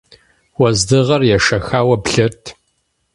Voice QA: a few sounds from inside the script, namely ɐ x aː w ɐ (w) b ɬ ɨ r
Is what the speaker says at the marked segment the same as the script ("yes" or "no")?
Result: no